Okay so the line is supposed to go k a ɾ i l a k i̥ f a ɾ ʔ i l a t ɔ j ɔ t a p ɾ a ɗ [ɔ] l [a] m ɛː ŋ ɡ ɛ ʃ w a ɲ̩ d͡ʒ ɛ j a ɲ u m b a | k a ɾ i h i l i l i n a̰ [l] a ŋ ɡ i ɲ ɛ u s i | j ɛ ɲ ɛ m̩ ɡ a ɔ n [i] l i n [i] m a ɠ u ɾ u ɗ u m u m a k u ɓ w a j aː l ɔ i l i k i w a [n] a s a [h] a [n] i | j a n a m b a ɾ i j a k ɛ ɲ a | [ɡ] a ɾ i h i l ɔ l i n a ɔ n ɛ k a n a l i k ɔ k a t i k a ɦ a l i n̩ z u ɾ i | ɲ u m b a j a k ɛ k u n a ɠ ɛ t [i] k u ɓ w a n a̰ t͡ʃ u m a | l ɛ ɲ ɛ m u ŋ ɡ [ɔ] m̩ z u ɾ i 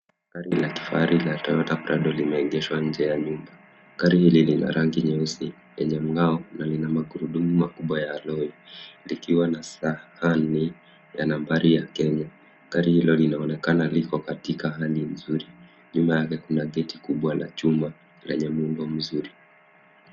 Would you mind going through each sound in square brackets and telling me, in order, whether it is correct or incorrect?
correct, incorrect, incorrect, incorrect, incorrect, correct, correct, correct, incorrect, correct, correct

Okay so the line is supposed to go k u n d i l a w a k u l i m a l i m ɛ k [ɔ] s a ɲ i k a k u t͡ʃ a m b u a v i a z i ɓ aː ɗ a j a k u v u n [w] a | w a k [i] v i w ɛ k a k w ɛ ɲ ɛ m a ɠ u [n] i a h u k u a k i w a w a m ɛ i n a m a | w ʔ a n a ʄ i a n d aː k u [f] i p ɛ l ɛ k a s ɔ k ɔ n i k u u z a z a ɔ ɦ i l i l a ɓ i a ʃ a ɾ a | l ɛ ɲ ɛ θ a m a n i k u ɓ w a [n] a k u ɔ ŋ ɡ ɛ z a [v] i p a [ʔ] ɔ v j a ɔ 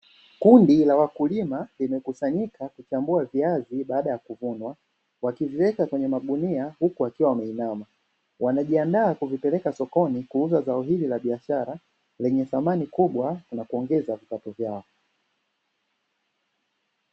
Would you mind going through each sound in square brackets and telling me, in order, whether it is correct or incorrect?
incorrect, correct, correct, correct, incorrect, correct, correct, incorrect

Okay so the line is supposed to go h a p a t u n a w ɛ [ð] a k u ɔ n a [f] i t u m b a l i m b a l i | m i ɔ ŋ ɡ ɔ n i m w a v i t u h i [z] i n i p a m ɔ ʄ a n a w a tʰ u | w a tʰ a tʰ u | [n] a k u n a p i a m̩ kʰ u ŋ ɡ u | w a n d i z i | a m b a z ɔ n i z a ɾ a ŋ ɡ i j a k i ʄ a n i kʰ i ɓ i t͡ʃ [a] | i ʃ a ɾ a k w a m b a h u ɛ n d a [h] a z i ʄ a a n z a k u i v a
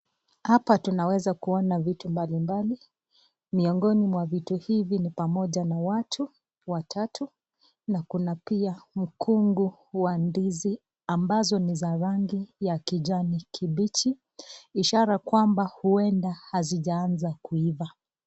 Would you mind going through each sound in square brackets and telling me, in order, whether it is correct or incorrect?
incorrect, incorrect, incorrect, correct, incorrect, correct

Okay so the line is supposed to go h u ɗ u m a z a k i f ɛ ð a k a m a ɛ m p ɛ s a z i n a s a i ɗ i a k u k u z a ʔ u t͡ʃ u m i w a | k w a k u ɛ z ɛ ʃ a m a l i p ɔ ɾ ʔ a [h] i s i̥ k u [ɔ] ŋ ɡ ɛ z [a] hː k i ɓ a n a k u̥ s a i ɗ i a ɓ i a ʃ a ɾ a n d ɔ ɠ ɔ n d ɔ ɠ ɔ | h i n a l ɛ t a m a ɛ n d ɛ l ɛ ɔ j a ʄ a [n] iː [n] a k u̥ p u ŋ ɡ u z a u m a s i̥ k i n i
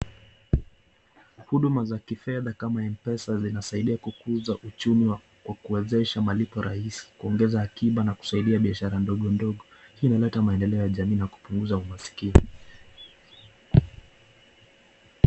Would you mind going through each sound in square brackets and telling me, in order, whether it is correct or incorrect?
correct, correct, correct, incorrect, correct

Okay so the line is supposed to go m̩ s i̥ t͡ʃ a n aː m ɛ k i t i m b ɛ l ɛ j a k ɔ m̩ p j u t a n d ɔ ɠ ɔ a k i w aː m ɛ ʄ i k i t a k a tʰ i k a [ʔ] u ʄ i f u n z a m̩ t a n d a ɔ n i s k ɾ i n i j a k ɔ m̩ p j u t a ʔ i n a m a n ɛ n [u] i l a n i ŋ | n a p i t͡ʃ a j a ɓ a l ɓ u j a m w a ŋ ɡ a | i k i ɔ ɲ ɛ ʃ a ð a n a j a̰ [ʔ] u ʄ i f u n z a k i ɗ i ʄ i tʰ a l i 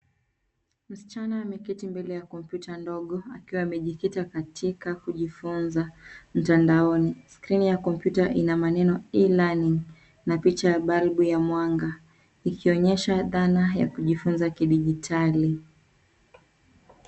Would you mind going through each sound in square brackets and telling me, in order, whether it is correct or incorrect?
incorrect, incorrect, incorrect

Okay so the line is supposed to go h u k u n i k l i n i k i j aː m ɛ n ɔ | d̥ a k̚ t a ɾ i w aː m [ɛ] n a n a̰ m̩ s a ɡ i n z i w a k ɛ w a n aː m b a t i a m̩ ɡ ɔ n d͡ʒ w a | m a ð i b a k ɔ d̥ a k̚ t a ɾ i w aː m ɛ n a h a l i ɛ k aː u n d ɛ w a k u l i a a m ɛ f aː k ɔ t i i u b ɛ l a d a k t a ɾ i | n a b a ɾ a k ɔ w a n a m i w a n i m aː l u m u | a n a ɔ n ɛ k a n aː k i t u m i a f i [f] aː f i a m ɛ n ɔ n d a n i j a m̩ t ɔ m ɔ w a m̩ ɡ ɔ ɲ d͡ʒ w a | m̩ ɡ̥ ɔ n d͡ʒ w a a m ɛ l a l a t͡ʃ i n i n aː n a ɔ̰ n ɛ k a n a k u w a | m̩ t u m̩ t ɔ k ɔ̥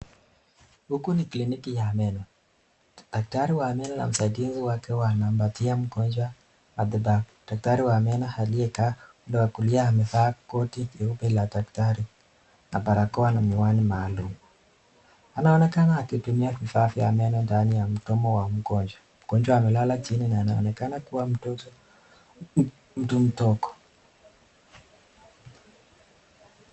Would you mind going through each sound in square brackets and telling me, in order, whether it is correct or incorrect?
correct, correct

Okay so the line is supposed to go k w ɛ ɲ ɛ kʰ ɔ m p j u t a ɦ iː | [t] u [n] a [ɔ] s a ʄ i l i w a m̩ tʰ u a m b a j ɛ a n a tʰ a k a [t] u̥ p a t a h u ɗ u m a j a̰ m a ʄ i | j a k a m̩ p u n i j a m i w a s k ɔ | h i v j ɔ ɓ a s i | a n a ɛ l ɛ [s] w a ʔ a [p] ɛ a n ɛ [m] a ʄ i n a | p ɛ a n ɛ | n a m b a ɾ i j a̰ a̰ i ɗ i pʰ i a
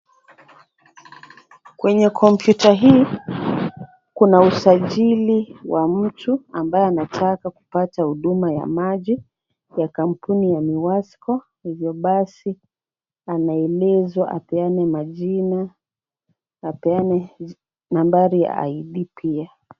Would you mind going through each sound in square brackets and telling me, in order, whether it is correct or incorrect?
incorrect, correct, incorrect, incorrect, incorrect, correct, correct

